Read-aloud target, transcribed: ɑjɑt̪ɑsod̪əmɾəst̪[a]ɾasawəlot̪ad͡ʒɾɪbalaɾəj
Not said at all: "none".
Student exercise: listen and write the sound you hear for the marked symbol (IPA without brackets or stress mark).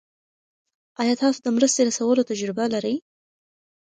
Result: e